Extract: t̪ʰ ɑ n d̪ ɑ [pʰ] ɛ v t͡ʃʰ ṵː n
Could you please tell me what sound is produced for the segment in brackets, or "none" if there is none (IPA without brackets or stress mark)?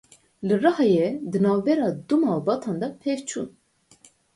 pʰ